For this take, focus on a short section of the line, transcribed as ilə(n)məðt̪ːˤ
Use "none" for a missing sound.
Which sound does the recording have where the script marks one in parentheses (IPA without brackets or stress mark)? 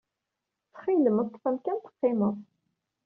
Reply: none